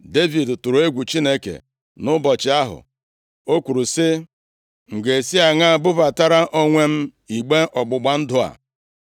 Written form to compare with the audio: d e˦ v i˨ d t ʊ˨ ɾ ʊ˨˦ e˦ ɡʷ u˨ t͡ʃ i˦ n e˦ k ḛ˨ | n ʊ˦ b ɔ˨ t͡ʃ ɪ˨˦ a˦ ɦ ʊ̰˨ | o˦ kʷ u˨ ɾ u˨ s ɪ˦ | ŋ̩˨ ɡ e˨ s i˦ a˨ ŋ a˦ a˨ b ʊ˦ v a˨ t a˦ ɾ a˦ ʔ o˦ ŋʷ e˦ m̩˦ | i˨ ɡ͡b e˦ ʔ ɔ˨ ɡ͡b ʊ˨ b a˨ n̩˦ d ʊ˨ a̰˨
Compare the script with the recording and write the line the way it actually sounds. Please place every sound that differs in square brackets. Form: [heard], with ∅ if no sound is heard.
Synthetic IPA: d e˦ v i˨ d t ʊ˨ ɾ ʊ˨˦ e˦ ɡʷ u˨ t͡ʃ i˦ n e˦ k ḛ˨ | n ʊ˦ b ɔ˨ t͡ʃ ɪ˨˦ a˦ ɦ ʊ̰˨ | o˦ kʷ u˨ ɾ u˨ s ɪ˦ | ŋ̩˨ ɡ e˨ s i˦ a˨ ŋ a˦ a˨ b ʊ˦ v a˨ t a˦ ɾ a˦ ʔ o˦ ŋʷ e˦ m̩˦ | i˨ ɡ͡b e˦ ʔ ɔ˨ ɡ͡b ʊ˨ [ɡ͡b] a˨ n̩˦ d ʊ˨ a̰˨